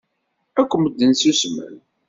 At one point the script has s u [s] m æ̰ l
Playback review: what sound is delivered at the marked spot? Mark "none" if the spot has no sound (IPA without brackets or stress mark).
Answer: s